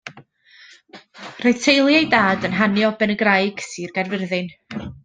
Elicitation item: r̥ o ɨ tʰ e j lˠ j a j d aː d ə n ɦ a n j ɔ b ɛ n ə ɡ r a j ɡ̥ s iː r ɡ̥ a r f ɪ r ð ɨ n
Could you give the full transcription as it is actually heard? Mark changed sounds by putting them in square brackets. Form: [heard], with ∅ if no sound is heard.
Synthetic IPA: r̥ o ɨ tʰ e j lˠ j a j d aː d ə n ɦ a n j ɔ b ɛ n ə ɡ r a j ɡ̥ s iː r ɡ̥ a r [v] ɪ r ð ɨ n